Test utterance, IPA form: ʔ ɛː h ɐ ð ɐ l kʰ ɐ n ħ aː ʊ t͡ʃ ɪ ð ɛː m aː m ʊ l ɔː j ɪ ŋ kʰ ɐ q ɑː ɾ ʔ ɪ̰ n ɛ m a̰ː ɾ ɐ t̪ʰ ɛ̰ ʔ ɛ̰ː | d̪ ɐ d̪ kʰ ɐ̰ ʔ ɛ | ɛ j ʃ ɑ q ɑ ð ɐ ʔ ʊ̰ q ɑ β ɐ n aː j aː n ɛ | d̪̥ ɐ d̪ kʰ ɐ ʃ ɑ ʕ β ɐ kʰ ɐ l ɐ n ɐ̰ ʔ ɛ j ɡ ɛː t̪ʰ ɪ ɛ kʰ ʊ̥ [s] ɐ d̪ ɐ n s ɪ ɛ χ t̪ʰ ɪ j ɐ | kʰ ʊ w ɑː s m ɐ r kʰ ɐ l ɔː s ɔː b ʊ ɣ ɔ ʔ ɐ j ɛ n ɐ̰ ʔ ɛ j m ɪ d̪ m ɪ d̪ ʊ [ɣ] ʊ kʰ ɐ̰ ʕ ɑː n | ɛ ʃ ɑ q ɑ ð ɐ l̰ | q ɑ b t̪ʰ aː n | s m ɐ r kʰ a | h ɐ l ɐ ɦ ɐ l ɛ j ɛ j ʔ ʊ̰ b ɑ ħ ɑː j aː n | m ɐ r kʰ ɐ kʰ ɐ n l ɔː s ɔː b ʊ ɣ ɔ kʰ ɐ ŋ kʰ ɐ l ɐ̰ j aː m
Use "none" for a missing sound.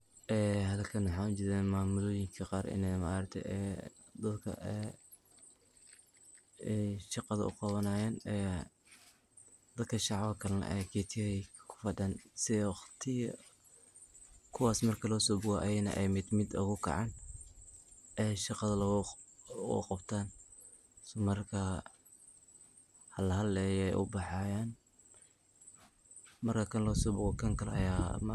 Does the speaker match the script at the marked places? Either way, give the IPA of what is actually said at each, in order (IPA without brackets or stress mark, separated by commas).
f, ɣ